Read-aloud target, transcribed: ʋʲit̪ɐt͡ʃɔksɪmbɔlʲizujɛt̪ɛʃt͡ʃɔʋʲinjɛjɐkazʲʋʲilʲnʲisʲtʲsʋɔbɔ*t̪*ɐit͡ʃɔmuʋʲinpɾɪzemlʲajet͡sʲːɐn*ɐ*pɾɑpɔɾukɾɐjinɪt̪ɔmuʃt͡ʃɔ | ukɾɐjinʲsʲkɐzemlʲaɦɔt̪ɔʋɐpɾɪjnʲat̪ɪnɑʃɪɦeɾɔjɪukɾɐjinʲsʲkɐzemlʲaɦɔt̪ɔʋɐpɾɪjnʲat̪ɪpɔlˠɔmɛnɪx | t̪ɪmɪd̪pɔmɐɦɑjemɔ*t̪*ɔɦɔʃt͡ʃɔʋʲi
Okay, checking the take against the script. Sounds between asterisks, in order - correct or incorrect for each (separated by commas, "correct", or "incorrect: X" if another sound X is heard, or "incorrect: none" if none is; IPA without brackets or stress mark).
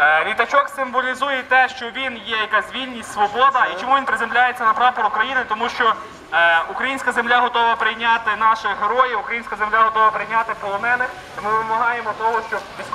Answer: incorrect: d̪, correct, correct